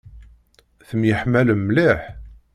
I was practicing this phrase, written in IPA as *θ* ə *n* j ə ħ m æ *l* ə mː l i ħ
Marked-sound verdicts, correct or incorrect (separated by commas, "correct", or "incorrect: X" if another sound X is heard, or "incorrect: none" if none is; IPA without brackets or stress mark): correct, incorrect: m, correct